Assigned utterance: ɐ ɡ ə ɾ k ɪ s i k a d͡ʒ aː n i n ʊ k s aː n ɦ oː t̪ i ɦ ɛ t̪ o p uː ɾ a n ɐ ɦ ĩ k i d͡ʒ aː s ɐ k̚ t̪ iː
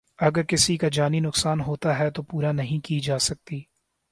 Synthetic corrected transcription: ɐ ɡ ə ɾ k ɪ s i k a d͡ʒ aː n i n ʊ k s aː n ɦ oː t̪ a ɦ ɛ t̪ o p uː ɾ a n ɐ ɦ ĩ k i d͡ʒ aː s ɐ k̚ t̪ iː